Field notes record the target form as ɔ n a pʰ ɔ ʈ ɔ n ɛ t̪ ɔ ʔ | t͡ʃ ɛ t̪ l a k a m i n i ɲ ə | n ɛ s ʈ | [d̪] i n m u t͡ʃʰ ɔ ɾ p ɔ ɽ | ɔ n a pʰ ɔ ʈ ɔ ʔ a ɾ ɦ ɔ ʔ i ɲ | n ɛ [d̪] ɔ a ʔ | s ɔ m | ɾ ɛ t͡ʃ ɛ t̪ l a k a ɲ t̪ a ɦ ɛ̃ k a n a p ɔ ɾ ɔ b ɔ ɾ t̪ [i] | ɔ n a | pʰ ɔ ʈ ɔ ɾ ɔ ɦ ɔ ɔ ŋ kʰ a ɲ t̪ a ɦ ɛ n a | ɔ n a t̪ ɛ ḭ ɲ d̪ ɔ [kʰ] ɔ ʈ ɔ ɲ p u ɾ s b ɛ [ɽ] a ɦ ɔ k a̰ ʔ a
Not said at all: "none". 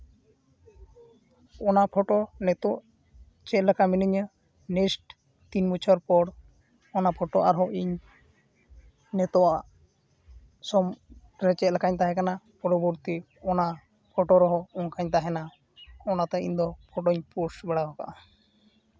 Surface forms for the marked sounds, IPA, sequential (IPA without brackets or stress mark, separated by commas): t̪, t̪, i, pʰ, ɽ